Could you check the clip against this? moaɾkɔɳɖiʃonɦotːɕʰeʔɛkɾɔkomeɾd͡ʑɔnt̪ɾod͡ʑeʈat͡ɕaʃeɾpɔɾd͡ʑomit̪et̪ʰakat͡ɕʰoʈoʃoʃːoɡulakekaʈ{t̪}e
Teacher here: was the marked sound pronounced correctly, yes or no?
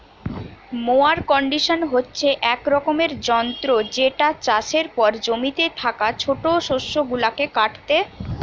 yes